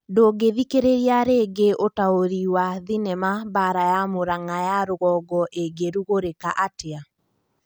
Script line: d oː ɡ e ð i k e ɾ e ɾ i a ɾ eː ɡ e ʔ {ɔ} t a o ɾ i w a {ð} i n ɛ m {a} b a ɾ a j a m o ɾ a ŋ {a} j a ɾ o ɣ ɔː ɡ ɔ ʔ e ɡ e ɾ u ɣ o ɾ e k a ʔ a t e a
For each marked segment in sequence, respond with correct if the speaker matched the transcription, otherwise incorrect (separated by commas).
incorrect, correct, correct, correct